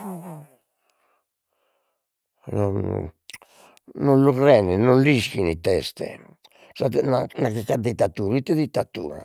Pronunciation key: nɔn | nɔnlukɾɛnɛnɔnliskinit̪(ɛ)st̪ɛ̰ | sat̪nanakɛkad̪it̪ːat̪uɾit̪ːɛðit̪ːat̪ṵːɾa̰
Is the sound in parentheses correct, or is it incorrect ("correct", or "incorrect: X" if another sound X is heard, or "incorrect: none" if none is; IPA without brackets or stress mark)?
correct